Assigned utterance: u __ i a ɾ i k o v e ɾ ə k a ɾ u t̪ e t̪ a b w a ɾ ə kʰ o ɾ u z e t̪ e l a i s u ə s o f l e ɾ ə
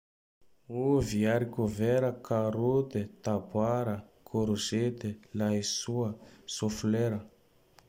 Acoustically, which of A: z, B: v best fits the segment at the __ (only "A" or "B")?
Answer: B